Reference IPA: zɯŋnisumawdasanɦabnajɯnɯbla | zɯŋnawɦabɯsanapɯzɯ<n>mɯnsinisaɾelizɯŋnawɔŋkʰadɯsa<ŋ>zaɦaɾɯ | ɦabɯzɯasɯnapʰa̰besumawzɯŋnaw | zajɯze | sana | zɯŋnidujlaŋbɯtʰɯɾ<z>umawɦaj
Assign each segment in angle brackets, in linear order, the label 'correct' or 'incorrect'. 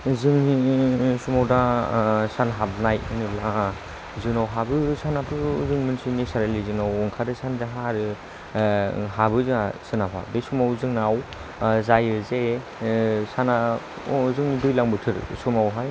incorrect, incorrect, incorrect

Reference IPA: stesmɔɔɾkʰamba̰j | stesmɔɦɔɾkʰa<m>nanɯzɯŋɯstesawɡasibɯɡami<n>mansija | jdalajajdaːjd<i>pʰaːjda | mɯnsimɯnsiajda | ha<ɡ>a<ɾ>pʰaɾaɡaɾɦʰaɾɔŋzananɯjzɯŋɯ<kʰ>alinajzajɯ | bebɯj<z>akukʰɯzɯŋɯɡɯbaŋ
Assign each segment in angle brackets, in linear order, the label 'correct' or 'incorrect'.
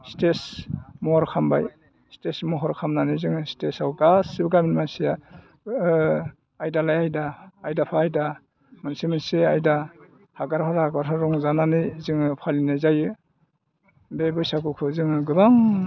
correct, correct, incorrect, correct, correct, incorrect, incorrect

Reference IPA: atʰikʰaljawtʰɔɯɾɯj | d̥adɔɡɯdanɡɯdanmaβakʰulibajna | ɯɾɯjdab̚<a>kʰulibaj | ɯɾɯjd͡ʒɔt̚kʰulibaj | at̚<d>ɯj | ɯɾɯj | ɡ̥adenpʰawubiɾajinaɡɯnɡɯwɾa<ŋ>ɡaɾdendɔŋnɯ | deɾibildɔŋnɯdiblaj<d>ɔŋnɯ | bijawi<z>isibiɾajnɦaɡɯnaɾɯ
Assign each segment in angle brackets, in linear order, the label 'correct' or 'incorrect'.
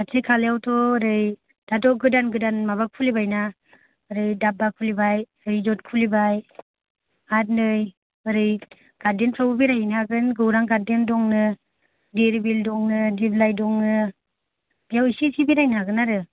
correct, incorrect, correct, correct, incorrect

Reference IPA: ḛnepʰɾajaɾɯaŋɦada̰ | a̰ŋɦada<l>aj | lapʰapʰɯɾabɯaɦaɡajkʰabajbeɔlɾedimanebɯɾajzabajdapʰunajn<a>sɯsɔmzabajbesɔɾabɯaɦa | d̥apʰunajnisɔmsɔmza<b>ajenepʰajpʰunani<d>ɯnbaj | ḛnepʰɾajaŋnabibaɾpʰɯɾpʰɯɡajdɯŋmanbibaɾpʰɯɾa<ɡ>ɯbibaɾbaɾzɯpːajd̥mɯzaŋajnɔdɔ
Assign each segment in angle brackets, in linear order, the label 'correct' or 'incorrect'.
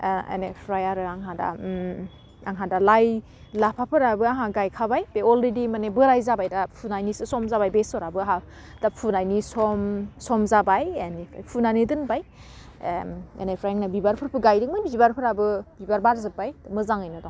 correct, incorrect, correct, correct, incorrect

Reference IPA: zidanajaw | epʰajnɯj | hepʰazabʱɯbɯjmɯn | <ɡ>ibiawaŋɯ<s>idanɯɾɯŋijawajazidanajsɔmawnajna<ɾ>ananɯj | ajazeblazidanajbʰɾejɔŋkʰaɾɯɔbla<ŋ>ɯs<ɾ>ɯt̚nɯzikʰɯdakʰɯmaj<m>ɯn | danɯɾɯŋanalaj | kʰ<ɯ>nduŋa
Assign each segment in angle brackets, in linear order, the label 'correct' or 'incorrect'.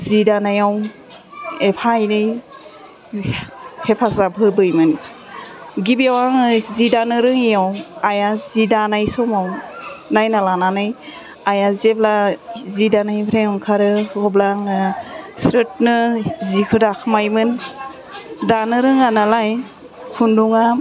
correct, incorrect, incorrect, correct, correct, correct, incorrect

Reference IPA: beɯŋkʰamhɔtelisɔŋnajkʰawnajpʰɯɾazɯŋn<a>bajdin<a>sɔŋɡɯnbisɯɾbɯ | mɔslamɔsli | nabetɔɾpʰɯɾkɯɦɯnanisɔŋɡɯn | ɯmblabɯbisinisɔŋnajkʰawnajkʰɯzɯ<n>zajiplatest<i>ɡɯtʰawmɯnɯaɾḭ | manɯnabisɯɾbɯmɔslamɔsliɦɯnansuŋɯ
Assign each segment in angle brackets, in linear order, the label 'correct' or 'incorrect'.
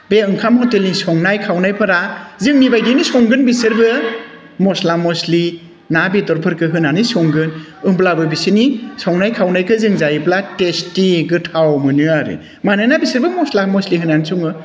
incorrect, incorrect, incorrect, correct

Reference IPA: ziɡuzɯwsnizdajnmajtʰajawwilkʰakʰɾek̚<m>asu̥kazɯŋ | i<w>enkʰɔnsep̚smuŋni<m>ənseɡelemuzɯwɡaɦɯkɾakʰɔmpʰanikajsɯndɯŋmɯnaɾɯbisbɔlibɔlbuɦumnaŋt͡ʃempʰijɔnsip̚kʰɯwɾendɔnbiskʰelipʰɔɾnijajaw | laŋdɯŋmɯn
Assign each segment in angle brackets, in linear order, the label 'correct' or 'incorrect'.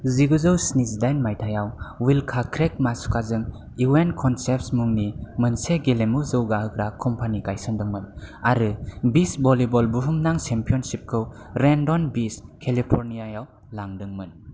correct, correct, correct

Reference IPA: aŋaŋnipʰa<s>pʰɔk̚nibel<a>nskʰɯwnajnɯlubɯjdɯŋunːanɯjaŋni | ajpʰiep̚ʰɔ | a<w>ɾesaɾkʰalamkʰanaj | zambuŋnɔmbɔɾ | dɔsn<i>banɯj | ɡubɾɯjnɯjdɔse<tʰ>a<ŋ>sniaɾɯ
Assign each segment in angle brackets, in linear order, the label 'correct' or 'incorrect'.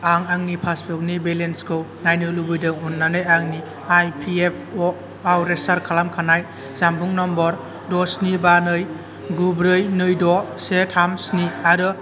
correct, incorrect, correct, correct, correct, incorrect

